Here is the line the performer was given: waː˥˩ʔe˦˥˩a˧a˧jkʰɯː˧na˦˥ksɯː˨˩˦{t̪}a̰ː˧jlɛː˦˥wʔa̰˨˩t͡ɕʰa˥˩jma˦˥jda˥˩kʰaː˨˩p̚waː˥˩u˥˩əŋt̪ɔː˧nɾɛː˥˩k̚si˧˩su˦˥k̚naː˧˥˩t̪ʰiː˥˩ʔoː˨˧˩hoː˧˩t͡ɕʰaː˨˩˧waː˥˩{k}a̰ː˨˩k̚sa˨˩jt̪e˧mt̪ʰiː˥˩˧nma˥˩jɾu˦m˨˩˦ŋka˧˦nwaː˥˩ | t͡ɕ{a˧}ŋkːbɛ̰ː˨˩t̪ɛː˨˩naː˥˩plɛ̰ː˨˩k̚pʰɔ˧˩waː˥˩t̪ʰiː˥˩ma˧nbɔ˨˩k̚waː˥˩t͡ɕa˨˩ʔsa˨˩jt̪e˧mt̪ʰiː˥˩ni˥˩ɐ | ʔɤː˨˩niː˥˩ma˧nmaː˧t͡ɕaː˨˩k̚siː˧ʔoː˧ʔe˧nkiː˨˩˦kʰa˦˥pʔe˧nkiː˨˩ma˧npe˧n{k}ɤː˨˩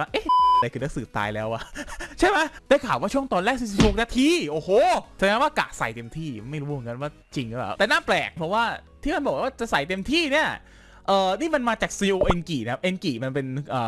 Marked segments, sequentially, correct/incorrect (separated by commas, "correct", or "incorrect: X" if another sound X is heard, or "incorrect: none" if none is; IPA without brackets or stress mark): correct, correct, incorrect: i˧, incorrect: ʔ